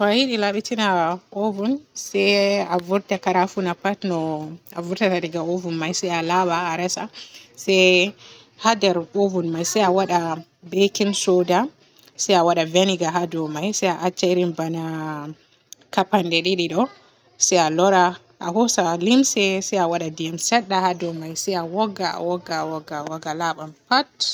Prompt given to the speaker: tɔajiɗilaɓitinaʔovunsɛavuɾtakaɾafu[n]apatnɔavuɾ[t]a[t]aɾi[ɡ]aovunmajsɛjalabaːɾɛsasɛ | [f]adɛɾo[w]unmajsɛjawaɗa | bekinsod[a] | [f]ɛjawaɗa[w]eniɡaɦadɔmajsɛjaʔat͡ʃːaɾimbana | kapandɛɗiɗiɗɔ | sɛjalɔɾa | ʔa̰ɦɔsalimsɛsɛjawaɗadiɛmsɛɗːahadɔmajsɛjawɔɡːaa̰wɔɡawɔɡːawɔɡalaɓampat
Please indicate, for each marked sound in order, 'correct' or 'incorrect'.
correct, correct, correct, correct, incorrect, incorrect, correct, incorrect, incorrect

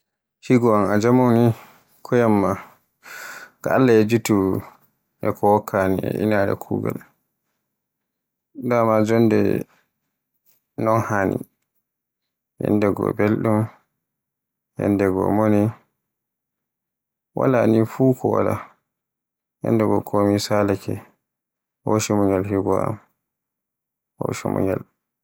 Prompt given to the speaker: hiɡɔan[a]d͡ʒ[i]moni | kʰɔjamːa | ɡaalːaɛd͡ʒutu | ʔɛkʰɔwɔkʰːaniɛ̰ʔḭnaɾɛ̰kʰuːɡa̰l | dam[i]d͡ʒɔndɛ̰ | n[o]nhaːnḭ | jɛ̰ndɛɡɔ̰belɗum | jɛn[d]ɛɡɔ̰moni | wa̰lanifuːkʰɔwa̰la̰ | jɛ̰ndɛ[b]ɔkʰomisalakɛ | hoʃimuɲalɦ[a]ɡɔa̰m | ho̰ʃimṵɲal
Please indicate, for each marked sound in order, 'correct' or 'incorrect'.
correct, incorrect, incorrect, incorrect, correct, incorrect, incorrect

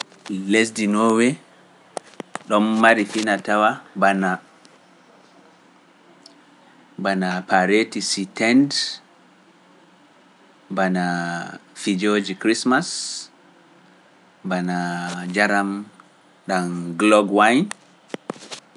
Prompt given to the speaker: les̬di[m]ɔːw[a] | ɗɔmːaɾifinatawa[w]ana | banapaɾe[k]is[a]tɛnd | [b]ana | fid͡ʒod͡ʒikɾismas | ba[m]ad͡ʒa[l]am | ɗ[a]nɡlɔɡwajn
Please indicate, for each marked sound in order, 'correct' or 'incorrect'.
incorrect, incorrect, incorrect, incorrect, incorrect, correct, incorrect, incorrect, correct

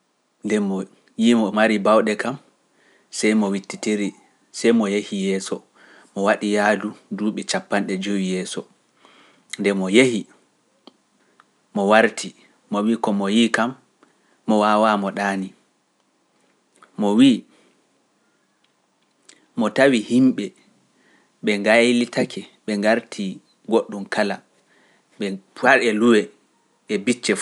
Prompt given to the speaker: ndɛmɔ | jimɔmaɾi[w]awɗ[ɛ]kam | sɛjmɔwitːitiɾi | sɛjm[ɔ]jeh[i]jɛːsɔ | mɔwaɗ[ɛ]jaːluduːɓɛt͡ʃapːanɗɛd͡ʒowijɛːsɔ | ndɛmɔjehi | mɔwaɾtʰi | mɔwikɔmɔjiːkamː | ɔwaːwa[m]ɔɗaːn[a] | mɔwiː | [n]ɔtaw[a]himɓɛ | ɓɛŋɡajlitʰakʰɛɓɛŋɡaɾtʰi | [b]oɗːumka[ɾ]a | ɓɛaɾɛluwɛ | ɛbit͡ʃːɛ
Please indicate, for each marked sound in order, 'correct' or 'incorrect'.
incorrect, correct, correct, correct, incorrect, correct, incorrect, incorrect, incorrect, incorrect, incorrect

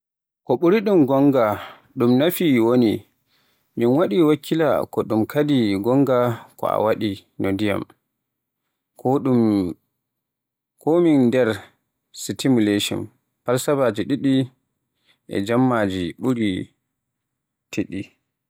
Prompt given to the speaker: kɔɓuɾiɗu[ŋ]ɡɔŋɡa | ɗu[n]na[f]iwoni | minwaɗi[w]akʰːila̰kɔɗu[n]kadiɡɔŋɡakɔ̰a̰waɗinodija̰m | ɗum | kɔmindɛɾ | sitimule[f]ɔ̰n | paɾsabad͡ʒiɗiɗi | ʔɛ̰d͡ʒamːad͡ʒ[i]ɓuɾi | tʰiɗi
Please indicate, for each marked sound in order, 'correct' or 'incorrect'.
incorrect, incorrect, correct, correct, incorrect, incorrect, correct

